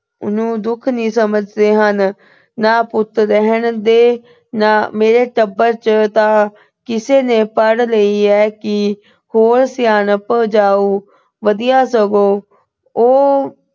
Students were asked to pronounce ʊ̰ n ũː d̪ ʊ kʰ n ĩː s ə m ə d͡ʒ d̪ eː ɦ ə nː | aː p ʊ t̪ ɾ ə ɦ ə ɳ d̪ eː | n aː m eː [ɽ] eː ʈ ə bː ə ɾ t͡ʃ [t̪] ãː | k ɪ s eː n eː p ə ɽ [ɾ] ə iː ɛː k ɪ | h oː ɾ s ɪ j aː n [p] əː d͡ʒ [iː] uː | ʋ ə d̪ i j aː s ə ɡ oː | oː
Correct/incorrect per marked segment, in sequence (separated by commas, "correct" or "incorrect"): incorrect, correct, incorrect, correct, incorrect